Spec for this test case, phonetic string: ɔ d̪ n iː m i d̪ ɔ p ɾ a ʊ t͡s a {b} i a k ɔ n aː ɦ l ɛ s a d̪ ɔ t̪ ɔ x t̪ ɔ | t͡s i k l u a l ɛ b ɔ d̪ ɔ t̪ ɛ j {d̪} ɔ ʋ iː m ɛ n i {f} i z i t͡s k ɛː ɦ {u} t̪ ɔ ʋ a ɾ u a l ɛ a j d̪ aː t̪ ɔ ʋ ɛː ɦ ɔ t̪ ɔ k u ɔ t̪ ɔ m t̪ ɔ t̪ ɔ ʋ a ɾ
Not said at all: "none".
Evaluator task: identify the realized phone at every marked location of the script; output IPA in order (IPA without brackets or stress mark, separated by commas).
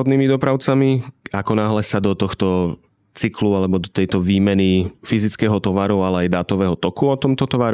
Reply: m, t̪, f, ɔ